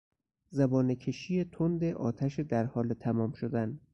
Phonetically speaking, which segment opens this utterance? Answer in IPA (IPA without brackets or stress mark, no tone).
z